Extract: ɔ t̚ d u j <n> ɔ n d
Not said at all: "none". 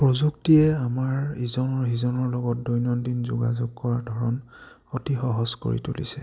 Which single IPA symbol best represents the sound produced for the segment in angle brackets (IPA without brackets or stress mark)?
n